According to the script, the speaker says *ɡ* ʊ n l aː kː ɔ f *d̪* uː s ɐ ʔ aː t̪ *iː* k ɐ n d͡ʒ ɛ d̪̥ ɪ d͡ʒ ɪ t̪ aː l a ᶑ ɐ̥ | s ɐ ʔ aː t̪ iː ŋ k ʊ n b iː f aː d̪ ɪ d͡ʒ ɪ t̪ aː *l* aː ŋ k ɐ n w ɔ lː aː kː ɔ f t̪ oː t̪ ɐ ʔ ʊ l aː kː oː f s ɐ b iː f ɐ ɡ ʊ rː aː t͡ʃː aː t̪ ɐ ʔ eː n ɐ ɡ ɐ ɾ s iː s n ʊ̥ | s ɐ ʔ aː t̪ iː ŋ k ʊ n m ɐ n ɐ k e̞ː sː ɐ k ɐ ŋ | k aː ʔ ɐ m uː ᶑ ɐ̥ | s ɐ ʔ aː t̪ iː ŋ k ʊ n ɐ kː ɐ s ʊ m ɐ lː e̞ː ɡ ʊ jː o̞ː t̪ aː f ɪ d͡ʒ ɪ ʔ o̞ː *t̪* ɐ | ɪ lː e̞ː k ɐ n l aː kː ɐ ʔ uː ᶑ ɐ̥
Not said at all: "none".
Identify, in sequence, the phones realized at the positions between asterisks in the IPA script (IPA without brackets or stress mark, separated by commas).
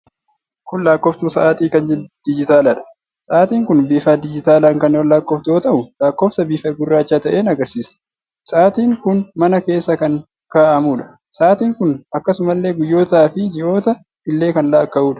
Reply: k, t̪, iː, l, t̪